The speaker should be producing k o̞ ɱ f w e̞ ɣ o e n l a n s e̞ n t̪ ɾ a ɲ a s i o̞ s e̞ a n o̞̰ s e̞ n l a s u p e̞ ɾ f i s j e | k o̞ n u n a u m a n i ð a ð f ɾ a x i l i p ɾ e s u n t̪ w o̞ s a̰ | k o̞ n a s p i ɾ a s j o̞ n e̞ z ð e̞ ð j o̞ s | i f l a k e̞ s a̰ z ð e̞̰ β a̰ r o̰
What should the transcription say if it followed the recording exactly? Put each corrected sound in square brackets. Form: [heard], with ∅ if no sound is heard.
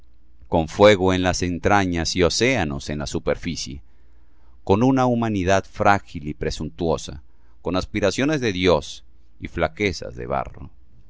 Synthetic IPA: k o̞ ɱ f w e̞ ɣ o e n l a [∅] s e̞ n t̪ ɾ a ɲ a s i o̞ s e̞ a n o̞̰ s e̞ n l a s u p e̞ ɾ f i s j e | k o̞ n u n a u m a n i ð a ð f ɾ a x i l i p ɾ e s u n t̪ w o̞ s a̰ | k o̞ n a s p i ɾ a s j o̞ n e̞ z ð e̞ ð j o̞ s | i f l a k e̞ s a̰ z ð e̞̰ β a̰ r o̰